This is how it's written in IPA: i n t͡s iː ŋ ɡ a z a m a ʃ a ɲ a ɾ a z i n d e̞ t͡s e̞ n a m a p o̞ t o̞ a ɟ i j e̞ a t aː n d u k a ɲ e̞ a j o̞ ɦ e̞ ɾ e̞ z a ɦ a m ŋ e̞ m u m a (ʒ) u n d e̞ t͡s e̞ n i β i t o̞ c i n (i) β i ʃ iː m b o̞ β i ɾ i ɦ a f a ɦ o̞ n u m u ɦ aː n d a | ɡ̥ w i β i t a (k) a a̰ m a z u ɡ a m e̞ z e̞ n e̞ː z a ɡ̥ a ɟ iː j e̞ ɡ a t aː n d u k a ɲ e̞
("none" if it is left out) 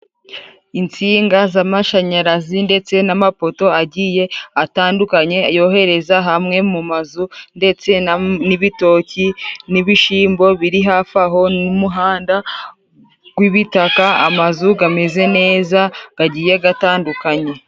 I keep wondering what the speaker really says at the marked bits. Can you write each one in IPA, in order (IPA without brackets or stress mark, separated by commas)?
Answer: z, i, k